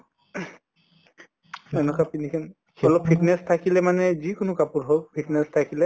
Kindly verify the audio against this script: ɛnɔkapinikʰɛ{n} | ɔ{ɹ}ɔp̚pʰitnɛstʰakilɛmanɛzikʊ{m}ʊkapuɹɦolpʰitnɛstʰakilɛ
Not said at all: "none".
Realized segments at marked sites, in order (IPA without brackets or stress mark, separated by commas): n, l, n